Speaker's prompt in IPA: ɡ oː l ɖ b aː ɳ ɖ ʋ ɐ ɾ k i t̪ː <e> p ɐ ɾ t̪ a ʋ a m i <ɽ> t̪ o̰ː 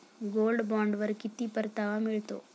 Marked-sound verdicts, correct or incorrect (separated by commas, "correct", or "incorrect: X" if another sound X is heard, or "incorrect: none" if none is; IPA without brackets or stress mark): incorrect: i, incorrect: ɭ